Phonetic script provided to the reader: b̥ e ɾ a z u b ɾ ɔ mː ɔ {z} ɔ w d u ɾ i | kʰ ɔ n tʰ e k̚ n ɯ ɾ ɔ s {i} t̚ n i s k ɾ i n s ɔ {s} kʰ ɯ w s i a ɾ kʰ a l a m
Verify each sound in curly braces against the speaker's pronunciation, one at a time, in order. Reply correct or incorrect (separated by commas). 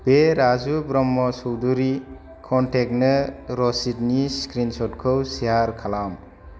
incorrect, correct, incorrect